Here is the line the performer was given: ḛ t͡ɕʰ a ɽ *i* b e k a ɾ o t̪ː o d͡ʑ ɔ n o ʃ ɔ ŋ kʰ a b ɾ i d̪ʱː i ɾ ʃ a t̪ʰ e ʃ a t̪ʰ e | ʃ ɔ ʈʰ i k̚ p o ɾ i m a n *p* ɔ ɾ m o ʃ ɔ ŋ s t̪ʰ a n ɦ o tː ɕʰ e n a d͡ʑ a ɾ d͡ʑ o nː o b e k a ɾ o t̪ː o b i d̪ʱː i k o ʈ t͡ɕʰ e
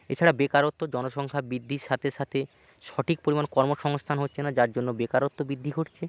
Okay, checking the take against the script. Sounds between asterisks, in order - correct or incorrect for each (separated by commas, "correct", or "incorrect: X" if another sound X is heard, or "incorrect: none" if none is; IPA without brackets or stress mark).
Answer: incorrect: a, incorrect: k